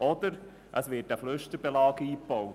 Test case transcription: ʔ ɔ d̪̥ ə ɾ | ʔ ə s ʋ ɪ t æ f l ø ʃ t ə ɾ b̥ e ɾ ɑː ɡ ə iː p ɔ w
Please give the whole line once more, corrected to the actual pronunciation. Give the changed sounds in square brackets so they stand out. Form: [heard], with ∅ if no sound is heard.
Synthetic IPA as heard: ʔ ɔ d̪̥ ə ɾ | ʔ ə s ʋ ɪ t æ f l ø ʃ t ə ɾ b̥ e [l] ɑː ɡ ə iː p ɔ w